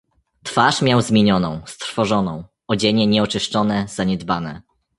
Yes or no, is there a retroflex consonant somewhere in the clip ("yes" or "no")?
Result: yes